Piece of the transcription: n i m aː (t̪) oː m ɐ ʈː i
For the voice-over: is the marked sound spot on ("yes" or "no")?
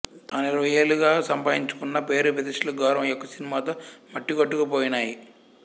yes